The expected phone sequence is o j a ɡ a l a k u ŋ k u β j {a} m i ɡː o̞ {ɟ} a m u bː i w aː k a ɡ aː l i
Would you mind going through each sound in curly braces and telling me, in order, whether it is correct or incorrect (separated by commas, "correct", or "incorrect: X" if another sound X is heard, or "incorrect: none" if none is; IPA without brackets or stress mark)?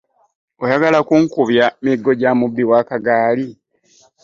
correct, correct